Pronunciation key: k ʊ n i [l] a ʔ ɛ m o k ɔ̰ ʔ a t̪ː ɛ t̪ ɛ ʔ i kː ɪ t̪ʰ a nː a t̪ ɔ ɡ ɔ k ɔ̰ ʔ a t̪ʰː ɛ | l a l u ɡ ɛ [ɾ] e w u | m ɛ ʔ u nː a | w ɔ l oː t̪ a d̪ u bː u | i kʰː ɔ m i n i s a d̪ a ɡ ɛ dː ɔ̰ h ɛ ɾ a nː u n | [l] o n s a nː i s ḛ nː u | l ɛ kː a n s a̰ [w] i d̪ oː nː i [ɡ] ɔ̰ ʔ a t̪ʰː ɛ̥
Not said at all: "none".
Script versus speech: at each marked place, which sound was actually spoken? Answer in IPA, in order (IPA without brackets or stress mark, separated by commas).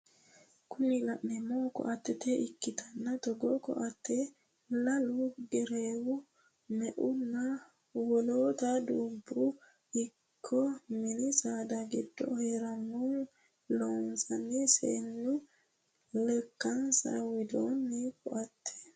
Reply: l, ɾ, l, w, k